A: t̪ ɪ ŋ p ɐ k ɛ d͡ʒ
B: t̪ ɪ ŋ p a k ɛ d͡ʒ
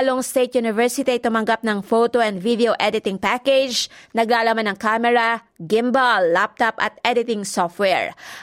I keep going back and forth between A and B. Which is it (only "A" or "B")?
B